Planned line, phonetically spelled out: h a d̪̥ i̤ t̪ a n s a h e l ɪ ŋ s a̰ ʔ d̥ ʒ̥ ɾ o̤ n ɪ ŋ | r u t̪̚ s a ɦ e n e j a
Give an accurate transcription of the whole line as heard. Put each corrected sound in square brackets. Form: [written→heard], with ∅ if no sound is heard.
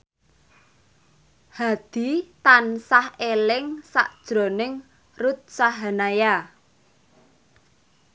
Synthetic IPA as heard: h a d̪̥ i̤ t̪ a n s a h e l ɪ ŋ s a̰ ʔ d̥ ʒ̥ ɾ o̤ n ɪ ŋ | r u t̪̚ s a ɦ [e→a] n [e→a] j a